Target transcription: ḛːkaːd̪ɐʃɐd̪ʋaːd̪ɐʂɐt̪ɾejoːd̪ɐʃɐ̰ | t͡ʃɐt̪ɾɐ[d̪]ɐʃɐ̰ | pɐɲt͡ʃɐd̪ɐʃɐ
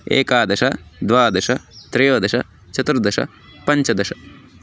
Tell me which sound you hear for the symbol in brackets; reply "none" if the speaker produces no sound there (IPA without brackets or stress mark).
d̪